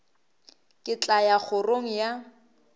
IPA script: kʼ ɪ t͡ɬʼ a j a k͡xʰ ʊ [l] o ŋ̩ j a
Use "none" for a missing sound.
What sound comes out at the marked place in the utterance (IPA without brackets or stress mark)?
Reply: r